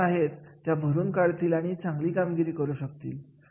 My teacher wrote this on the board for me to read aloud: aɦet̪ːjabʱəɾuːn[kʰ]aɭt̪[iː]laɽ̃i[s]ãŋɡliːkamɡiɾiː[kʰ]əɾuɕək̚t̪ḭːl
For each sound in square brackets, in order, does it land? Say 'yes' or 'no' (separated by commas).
no, yes, no, no